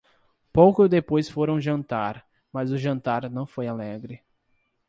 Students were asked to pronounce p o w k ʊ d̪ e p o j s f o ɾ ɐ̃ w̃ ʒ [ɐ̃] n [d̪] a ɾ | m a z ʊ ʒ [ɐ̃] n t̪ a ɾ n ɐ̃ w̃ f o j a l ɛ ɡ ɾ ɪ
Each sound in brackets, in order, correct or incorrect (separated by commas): correct, incorrect, correct